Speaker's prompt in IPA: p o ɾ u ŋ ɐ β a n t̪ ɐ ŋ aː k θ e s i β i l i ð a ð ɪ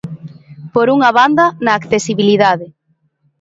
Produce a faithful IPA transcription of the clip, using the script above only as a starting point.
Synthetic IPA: p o ɾ u ŋ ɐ β a n d̪ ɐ n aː k θ e s i β i l i ð a ð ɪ